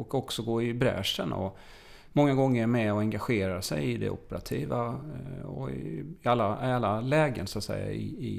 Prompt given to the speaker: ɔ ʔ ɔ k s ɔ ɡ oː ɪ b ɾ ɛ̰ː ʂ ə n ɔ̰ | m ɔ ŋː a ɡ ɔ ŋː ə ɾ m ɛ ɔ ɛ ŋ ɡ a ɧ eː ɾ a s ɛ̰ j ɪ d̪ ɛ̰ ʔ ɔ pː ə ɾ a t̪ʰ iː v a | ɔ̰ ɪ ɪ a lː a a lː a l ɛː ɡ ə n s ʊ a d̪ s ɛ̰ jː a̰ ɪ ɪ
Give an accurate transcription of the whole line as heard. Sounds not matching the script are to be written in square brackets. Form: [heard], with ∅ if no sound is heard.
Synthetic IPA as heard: ɔ [k] ɔ k s ɔ ɡ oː ɪ b ɾ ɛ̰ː ʂ ə n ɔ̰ | m ɔ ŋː a ɡ ɔ ŋː ə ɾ m ɛ ɔ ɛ ŋ ɡ a ɧ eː ɾ a s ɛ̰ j ɪ d̪ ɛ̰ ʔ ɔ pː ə ɾ a t̪ʰ iː v a | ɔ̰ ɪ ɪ a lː a a lː a l ɛː ɡ ə n s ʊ a [t̪] s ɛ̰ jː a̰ ɪ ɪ